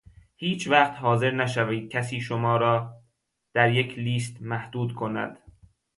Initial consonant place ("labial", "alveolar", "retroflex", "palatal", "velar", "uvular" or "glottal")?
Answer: glottal